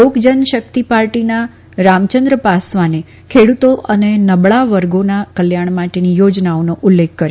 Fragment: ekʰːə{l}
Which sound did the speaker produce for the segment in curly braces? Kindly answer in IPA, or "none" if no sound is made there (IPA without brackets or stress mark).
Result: ɾ